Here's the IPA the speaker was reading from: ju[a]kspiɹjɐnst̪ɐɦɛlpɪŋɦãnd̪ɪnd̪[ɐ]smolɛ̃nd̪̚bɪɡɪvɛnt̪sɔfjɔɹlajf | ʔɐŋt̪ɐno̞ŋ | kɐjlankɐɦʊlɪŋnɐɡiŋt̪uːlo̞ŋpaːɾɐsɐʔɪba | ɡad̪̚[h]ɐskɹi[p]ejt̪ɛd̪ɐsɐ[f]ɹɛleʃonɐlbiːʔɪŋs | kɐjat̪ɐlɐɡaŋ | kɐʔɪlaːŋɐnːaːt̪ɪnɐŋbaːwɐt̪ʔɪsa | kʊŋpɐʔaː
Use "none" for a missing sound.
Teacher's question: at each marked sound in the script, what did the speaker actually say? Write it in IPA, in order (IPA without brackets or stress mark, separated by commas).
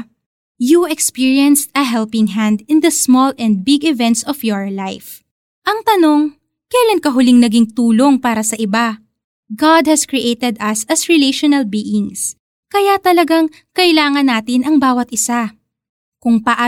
ɛ, ɐ, h, ʔ, s